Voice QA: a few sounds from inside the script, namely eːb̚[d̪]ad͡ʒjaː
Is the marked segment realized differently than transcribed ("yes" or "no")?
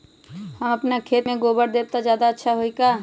yes